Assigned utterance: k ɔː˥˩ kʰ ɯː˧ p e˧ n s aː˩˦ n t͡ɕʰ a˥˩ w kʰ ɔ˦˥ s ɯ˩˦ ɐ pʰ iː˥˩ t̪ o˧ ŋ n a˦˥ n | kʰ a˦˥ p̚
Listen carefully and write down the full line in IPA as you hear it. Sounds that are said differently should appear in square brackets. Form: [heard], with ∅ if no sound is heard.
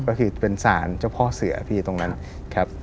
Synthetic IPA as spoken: k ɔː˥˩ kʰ ɯː˧ p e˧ n s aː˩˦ n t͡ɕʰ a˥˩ w [pʰ] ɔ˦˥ s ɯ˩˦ ɐ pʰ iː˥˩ t̪ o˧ ŋ n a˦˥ n | kʰ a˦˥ p̚